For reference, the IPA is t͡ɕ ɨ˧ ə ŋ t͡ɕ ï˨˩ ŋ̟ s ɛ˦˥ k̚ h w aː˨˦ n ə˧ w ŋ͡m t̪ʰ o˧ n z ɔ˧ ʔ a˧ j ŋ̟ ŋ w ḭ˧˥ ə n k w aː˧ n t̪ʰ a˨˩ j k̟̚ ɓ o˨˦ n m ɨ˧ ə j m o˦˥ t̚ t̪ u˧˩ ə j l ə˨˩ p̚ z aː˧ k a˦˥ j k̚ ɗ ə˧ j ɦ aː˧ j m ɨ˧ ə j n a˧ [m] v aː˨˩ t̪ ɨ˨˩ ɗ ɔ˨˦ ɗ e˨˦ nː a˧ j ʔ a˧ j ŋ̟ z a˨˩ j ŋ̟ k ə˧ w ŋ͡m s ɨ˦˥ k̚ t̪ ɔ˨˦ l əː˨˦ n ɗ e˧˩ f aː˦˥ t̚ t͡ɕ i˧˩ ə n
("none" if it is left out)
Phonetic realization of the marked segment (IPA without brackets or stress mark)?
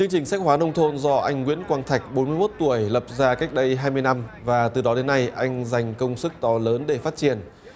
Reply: m